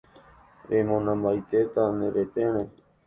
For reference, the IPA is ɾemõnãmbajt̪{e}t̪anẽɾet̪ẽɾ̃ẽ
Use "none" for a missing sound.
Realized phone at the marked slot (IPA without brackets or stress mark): e